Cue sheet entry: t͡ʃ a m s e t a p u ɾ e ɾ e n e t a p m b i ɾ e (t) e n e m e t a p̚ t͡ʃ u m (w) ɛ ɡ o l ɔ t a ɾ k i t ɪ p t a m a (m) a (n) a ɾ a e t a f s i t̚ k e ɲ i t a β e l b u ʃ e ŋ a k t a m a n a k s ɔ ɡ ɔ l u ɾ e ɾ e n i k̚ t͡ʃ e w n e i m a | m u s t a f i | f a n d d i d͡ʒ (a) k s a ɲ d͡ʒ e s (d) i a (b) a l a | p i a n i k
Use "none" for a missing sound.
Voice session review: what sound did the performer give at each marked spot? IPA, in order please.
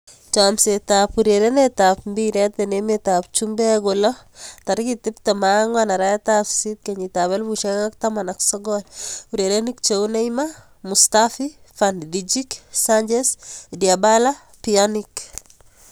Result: t, b, ŋ, n, i, d, b

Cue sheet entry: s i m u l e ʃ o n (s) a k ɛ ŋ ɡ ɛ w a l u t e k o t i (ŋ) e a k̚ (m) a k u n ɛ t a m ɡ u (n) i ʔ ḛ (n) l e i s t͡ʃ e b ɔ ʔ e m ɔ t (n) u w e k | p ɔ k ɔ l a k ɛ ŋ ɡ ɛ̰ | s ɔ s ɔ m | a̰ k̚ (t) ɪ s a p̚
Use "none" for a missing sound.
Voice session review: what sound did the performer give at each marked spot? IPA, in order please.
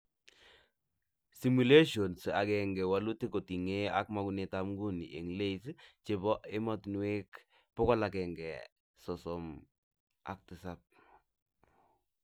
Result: s, ŋ, m, n, ŋ, n, t

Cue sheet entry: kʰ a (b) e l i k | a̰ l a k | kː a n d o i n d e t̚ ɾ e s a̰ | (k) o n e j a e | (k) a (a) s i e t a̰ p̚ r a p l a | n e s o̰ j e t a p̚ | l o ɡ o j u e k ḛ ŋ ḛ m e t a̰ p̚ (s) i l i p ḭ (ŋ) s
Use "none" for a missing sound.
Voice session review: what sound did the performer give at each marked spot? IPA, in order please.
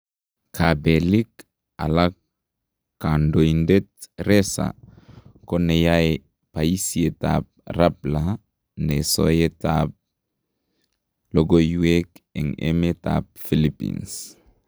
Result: b, k, p, i, f, n

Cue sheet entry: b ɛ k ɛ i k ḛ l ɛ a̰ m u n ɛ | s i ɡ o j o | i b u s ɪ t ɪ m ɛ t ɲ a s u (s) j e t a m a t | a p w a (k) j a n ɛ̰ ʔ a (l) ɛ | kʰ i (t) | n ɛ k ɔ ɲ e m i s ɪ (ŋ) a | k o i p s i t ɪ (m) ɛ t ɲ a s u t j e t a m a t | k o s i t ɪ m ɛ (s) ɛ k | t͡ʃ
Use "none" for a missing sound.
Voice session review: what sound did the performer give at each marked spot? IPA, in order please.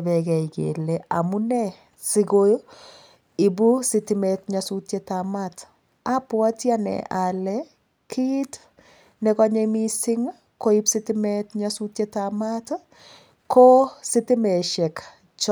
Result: t, t, l, t, ŋ, m, ʃ

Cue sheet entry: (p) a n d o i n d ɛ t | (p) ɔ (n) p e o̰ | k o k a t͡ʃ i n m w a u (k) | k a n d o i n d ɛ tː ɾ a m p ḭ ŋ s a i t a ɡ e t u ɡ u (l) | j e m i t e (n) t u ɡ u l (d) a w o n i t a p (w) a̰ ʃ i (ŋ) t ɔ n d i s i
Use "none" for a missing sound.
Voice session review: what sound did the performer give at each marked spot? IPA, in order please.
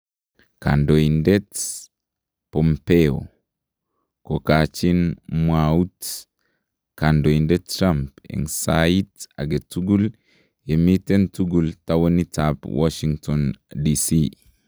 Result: k, p, m, t, l, n, t, w, ŋ

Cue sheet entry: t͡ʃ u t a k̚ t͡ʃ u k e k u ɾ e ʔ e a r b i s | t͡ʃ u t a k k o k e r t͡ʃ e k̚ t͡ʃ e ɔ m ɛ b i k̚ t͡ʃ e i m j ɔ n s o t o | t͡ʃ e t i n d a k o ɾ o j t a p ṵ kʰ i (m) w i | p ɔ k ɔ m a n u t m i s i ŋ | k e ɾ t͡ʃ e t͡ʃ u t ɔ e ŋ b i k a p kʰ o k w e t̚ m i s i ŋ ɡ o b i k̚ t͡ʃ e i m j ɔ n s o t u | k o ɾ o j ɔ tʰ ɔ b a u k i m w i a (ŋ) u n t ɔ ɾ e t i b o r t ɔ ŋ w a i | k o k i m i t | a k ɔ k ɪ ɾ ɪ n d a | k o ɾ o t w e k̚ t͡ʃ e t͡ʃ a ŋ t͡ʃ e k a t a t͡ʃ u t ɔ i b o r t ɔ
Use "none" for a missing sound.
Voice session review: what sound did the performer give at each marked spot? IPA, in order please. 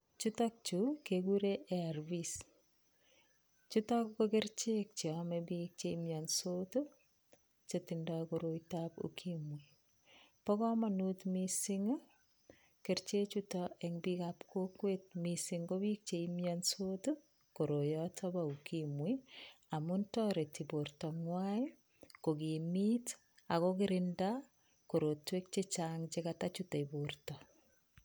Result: m, m

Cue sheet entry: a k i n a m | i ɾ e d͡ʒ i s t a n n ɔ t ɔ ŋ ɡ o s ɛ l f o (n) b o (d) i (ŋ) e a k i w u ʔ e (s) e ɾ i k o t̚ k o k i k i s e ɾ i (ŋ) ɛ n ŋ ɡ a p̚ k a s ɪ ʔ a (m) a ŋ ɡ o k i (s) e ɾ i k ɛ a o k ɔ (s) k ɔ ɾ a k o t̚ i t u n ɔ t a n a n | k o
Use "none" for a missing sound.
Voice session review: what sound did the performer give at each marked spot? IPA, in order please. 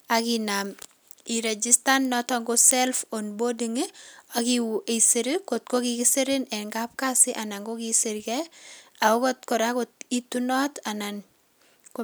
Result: n, d, ŋ, s, n, n, s, t

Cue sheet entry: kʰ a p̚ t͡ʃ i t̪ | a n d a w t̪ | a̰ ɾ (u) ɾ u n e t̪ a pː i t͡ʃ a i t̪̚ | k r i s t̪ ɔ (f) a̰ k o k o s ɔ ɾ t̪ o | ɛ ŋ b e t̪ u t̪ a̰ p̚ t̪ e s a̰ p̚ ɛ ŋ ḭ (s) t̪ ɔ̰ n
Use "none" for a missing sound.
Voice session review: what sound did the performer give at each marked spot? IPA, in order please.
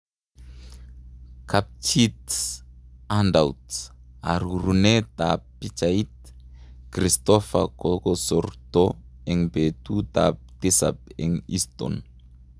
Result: u, f, s

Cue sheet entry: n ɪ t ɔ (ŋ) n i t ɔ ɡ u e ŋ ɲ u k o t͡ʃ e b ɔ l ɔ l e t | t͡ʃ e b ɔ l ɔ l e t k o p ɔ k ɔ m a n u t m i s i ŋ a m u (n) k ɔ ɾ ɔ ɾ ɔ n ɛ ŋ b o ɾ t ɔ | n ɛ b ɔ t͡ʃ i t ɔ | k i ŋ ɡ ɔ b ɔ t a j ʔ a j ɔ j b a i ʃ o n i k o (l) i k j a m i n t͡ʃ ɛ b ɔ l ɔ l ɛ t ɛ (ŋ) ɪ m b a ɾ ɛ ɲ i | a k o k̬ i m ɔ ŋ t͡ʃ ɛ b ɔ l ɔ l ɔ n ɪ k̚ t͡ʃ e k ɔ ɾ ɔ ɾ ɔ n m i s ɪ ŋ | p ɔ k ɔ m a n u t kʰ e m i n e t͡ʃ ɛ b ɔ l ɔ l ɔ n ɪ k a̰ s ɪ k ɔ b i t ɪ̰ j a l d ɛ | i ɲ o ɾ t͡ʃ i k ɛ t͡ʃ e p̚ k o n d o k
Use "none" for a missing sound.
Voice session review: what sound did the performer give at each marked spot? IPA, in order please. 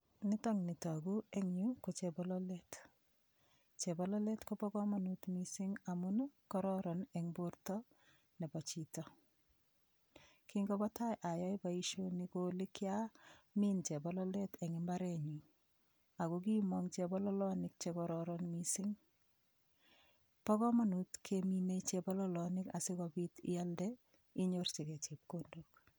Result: ŋ, n, l, ŋ

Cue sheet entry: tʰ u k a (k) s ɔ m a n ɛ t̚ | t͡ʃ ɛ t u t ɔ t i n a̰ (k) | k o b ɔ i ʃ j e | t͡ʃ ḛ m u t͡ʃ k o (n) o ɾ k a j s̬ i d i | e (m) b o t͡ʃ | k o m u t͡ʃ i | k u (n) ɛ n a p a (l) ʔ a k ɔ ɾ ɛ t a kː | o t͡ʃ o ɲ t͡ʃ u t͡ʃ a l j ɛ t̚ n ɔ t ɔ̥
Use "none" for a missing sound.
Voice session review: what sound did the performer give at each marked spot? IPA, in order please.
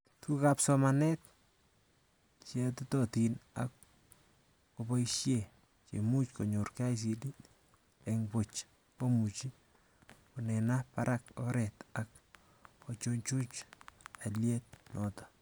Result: p, k, ɲ, ŋ, n, ɾ

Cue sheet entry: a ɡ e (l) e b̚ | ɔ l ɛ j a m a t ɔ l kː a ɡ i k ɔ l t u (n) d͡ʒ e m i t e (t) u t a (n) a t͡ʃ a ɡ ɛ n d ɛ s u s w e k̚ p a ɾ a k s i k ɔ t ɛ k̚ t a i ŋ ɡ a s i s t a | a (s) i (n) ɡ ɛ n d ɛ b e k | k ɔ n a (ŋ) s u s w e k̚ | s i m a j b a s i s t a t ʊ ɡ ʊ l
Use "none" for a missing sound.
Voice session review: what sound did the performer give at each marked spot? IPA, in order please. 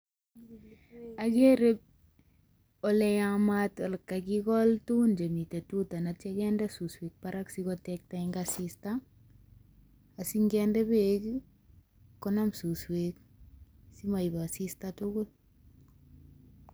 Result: ɾ, n, t, n, s, ŋ, m

